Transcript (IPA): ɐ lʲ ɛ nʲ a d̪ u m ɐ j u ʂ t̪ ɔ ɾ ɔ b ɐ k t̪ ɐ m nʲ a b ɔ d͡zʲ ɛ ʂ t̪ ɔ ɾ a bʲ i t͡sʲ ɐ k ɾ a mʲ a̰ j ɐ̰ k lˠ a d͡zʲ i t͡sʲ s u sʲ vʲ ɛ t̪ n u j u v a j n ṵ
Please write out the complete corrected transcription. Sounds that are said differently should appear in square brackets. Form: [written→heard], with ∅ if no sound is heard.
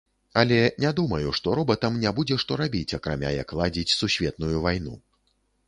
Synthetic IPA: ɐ lʲ ɛ nʲ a d̪ u m ɐ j u ʂ t̪ ɔ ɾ ɔ b ɐ [k→∅] t̪ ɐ m nʲ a b [ɔ→u] d͡zʲ ɛ ʂ t̪ ɔ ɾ a bʲ i t͡sʲ ɐ k ɾ a mʲ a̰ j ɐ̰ k lˠ a d͡zʲ i t͡sʲ s u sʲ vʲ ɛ t̪ n u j u v a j n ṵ